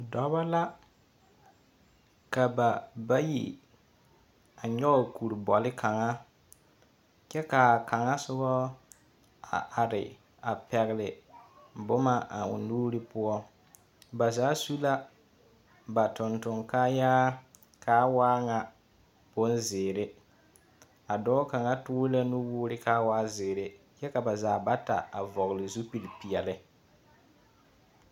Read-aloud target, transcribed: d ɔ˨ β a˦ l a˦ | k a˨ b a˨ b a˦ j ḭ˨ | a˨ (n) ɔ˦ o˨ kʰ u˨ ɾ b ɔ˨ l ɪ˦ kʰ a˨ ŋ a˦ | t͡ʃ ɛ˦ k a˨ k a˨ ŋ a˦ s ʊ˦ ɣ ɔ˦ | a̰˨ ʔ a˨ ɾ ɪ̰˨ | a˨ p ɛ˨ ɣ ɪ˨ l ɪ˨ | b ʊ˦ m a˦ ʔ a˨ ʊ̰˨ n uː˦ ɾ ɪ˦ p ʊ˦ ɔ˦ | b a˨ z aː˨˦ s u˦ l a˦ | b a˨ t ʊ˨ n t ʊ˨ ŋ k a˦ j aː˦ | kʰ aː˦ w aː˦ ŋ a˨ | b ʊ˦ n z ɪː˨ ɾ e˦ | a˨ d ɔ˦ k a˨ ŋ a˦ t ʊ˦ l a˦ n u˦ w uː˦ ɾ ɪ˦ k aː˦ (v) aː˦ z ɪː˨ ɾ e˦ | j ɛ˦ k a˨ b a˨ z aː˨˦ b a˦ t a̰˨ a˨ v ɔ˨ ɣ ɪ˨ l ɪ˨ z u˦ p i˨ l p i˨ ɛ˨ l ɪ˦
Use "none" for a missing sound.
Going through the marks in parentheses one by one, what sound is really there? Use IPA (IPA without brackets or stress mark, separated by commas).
ɲ, w